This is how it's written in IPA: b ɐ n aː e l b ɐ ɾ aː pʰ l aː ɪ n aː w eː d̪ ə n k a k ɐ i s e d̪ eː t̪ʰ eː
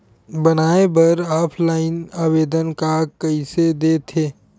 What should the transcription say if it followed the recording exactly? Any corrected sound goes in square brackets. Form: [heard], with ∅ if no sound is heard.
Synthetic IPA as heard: b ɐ n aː e [∅] b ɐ ɾ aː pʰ l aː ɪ n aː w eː d̪ ə n k a k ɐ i s e d̪ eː t̪ʰ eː

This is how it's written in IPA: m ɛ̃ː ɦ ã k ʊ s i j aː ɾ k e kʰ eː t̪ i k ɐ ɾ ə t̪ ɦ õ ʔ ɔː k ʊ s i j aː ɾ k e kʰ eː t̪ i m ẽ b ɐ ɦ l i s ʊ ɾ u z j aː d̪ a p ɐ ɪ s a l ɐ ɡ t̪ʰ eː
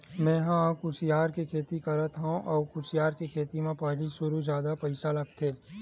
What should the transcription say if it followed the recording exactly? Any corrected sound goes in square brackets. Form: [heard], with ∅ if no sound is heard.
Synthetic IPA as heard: m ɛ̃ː ɦ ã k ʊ s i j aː ɾ k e kʰ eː t̪ i k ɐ ɾ ə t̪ ɦ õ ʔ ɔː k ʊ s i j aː ɾ k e kʰ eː t̪ i m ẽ [p] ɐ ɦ l i s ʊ ɾ u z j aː d̪ a p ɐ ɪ s a l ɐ ɡ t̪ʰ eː

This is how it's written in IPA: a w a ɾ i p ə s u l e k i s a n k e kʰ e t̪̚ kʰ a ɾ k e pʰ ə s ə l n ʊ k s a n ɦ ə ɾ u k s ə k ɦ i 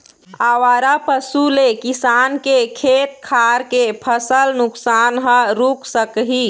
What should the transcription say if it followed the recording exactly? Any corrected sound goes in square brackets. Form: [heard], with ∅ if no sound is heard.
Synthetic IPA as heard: a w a ɾ [a] p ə s u l e k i s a n k e kʰ e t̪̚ kʰ a ɾ k e pʰ ə s ə l n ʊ k s a n ɦ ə ɾ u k s ə k ɦ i

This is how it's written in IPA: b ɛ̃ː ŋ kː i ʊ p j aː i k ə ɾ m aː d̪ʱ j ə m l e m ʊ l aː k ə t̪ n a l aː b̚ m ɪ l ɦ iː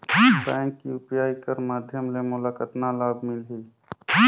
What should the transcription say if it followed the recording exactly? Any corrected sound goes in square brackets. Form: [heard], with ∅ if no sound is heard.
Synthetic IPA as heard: b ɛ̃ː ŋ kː i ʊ p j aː i k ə ɾ m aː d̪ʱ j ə m l e m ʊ l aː k ə t̪ n a l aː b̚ m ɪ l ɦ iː

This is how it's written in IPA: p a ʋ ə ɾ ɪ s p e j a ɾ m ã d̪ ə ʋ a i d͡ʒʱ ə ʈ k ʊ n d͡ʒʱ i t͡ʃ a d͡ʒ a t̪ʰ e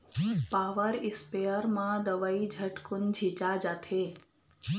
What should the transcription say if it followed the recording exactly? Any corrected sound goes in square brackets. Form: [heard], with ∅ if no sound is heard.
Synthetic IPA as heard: p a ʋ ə ɾ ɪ s p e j [ə] ɾ m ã d̪ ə ʋ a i d͡ʒʱ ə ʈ k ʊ n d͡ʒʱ i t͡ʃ a d͡ʒ a t̪ʰ e

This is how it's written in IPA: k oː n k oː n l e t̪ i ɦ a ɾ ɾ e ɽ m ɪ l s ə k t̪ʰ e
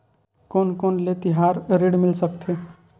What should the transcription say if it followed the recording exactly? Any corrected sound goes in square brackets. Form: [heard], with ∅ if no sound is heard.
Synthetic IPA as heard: k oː n k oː n l e t̪ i ɦ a ɾ ɾ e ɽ m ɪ l s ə k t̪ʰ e

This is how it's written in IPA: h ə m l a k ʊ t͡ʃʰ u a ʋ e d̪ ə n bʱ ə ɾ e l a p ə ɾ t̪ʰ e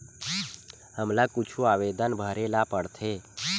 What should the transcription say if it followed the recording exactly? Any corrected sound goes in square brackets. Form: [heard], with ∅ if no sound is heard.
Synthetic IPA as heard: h ə m l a k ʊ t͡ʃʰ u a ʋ e d̪ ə n bʱ ə ɾ e l a p ə [ɽ] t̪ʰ e

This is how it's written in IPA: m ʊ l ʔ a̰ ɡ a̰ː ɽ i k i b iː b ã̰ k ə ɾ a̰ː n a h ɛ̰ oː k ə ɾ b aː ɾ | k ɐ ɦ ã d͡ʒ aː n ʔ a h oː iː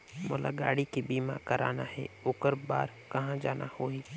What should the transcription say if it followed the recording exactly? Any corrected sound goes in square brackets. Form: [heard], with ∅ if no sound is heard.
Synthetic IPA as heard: m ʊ l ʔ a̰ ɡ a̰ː ɽ i k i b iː [m] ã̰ k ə ɾ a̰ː n a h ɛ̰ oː k ə ɾ b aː ɾ | k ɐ ɦ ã d͡ʒ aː n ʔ a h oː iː

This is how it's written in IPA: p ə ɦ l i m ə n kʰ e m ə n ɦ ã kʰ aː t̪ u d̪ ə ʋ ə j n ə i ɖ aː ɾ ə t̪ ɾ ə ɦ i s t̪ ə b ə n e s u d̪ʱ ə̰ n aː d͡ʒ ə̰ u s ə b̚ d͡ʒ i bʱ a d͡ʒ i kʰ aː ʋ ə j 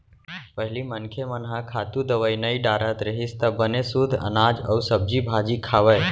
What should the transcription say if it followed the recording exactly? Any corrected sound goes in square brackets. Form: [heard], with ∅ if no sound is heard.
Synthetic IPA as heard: p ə ɦ l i m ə n kʰ e m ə n ɦ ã kʰ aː t̪ u d̪ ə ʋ ə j n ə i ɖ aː ɾ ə t̪ ɾ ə ɦ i s t̪ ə b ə n e s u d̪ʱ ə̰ n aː d͡ʒ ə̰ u s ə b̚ d͡ʒ i bʱ a d͡ʒ i kʰ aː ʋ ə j

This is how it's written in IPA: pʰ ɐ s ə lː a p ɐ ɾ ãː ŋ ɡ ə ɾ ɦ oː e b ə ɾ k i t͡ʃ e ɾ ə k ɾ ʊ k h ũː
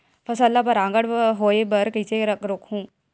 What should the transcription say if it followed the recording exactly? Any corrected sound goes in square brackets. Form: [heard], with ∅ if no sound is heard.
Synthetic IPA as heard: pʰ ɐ s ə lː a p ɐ ɾ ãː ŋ ɡ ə [ɽ] ɦ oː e b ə ɾ k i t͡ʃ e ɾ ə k ɾ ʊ k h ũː

